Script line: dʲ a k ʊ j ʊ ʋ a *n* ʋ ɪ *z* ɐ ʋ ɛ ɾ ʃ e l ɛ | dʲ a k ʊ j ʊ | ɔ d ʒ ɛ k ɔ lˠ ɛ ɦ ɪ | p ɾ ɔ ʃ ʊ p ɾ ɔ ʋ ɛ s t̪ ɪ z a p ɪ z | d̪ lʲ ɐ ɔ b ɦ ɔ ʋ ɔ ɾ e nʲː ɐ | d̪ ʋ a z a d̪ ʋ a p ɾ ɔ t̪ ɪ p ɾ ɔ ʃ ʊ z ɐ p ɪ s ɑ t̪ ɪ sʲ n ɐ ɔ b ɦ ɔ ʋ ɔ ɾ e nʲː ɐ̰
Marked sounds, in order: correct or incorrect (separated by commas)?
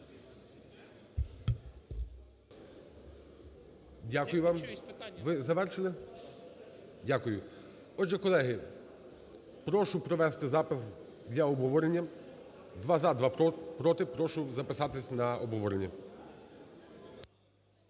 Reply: incorrect, correct